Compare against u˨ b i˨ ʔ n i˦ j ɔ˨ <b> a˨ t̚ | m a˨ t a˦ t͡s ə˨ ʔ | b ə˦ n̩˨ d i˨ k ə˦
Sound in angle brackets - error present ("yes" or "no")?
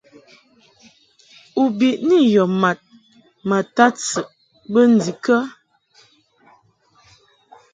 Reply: yes